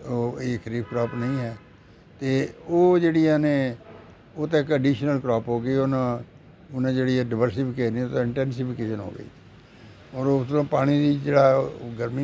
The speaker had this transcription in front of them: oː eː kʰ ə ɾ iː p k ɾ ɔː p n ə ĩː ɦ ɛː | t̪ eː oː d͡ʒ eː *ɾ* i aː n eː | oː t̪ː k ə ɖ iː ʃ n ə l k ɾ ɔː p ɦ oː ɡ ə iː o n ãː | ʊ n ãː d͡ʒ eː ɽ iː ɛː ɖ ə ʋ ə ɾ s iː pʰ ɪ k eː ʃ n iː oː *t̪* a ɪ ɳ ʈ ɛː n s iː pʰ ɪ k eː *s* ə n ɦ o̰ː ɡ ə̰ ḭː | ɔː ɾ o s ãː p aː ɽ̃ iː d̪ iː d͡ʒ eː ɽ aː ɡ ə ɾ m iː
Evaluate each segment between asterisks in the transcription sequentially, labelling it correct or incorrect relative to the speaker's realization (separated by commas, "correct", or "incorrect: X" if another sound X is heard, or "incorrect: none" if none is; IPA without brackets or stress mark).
incorrect: ɽ, correct, incorrect: ʃ